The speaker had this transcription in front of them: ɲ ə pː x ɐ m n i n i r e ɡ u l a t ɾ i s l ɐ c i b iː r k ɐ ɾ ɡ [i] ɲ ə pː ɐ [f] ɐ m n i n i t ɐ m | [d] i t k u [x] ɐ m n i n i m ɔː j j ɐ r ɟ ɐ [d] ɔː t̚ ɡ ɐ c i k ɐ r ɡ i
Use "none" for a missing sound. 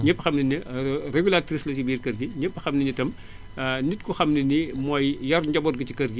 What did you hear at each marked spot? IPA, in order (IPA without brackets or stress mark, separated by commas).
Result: i, x, n, x, b